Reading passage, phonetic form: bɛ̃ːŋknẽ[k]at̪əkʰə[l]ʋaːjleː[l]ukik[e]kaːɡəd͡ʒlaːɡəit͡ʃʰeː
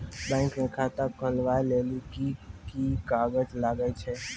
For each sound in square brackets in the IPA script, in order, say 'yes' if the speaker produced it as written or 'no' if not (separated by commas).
no, yes, yes, no